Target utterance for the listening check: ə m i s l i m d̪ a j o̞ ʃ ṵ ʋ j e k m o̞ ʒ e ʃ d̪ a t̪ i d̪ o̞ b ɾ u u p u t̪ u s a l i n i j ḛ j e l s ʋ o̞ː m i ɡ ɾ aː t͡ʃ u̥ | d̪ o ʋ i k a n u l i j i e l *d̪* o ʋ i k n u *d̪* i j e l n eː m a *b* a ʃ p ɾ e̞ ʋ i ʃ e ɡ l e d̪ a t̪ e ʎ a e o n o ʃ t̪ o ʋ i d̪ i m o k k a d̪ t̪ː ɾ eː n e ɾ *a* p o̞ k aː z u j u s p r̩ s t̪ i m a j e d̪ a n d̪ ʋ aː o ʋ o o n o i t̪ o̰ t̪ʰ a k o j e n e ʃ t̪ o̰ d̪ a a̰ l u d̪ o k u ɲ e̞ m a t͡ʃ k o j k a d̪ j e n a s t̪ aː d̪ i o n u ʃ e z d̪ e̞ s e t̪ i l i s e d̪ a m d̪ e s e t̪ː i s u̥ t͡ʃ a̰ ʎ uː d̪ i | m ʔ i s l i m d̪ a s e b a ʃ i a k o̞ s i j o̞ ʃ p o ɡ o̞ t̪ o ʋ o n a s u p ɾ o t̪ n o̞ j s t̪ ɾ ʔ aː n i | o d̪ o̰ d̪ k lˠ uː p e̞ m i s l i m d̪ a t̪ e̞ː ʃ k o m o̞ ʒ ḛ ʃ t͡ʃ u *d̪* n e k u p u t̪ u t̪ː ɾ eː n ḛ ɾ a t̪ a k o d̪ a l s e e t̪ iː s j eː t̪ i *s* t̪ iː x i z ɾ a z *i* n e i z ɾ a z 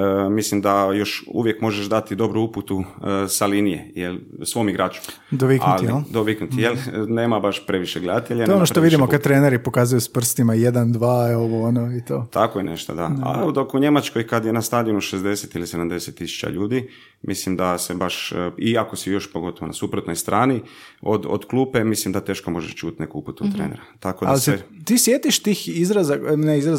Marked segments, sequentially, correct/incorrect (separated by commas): correct, incorrect, correct, incorrect, incorrect, incorrect, incorrect